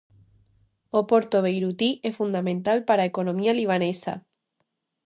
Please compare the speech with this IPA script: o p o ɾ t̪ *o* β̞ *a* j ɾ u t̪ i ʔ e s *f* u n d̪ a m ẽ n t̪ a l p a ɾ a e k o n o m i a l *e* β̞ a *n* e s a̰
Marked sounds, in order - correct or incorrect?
correct, incorrect: e, correct, incorrect: i, correct

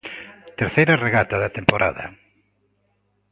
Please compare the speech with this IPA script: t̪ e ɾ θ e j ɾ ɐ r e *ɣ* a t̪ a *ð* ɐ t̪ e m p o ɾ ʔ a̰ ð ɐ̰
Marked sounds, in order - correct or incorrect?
correct, correct

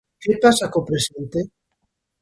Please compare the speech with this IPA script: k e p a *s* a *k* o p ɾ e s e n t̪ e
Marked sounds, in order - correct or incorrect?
correct, correct

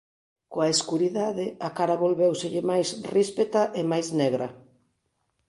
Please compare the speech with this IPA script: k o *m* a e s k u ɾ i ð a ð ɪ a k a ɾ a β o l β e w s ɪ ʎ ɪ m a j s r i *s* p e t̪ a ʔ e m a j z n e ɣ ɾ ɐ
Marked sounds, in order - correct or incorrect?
incorrect: none, correct

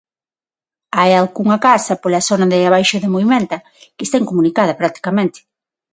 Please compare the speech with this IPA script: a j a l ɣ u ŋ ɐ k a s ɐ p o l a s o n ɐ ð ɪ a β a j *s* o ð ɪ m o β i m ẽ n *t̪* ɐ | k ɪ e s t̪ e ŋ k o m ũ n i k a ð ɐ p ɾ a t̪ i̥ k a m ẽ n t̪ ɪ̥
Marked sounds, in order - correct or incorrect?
incorrect: ʃ, correct

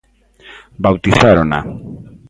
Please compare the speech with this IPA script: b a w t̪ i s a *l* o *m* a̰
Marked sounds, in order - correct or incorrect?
incorrect: ɾ, incorrect: n

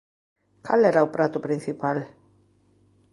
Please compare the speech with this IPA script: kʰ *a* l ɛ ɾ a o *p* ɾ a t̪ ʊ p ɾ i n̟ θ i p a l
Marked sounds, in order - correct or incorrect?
correct, correct

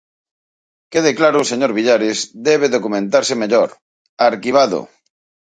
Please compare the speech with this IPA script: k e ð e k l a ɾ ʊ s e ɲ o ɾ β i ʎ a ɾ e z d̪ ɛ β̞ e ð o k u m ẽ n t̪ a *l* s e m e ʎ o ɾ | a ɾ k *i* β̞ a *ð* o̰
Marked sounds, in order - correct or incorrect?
incorrect: ɾ, correct, correct

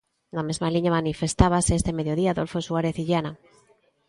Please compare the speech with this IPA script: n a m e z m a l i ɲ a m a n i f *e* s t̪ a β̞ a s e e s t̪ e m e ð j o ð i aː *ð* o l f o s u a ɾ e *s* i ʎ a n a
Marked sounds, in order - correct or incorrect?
correct, correct, incorrect: θ

